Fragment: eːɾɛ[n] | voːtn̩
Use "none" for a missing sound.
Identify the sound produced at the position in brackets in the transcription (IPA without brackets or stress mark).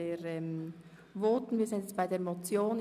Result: m